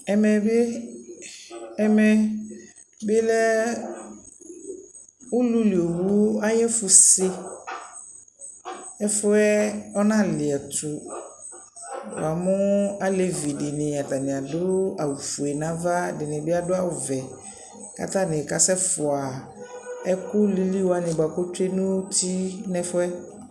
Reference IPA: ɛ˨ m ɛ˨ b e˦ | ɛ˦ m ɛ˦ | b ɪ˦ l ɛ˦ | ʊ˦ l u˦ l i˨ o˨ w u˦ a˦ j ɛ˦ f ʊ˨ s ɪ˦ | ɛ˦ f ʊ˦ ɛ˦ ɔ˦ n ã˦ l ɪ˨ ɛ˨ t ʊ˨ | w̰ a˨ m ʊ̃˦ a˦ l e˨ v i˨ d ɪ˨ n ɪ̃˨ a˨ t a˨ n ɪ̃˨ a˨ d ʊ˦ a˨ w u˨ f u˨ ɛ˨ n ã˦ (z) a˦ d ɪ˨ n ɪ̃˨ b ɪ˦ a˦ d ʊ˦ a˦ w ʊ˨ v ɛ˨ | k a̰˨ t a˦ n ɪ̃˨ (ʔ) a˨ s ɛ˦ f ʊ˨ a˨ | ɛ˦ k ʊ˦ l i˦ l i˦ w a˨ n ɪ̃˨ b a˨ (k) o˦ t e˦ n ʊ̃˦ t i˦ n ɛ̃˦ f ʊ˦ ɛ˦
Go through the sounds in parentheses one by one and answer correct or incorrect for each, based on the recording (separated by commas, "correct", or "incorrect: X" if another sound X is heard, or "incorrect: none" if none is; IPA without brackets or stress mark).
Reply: incorrect: v, incorrect: k, correct